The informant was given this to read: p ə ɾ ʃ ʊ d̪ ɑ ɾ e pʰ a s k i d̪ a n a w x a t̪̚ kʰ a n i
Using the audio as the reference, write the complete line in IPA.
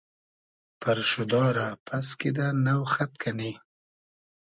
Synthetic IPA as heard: p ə ɾ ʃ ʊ d̪ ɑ ɾ a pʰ a s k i d̪ a n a w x a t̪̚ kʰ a n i